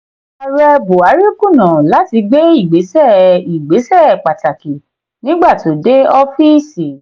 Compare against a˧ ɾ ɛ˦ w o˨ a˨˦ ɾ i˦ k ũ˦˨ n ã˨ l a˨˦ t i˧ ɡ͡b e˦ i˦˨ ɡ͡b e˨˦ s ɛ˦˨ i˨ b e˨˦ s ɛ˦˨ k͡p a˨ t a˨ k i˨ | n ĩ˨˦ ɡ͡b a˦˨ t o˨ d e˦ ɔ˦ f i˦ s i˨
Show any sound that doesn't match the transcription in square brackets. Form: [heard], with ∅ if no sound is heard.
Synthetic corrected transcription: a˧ ɾ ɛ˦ [b] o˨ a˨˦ ɾ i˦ k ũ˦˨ n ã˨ l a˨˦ t i˧ ɡ͡b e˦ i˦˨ ɡ͡b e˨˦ s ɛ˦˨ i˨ [ɡ͡b] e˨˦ s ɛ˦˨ k͡p a˨ t a˨ k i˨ | n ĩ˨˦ ɡ͡b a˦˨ t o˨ d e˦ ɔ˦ f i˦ s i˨